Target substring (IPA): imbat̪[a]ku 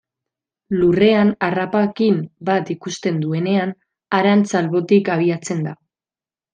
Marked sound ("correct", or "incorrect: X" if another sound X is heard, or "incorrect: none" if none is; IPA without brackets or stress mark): incorrect: i